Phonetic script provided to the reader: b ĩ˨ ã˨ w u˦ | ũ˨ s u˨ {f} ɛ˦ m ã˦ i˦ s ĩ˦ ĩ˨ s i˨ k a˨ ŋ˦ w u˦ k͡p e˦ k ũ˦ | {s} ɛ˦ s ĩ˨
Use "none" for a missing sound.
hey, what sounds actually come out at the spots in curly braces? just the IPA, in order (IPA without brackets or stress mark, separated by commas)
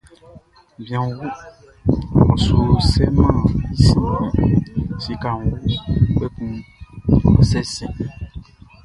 s, s